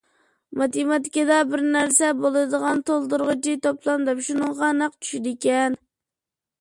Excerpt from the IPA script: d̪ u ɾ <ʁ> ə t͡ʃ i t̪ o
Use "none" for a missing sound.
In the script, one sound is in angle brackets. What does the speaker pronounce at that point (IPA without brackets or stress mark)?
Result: ʁ